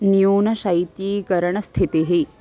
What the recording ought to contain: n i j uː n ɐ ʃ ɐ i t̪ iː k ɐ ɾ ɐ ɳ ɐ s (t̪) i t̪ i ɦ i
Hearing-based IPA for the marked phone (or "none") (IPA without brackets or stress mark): t̪ʰ